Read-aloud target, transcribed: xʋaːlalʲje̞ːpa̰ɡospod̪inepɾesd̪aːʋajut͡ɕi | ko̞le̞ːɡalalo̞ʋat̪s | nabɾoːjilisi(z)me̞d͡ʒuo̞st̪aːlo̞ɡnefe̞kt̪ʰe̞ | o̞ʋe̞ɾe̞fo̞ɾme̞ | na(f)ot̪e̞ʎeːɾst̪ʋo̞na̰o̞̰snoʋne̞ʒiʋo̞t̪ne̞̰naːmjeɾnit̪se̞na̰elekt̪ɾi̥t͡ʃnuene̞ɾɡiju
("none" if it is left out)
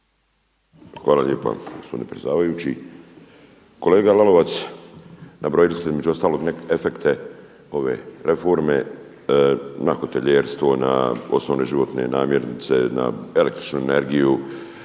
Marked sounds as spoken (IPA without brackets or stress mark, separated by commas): z, x